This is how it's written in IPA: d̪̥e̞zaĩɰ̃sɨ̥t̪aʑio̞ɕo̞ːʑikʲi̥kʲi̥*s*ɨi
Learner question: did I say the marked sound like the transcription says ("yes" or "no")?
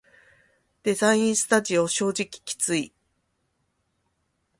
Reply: no